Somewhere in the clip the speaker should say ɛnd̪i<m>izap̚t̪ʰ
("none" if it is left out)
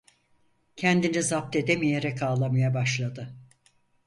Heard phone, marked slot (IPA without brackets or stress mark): n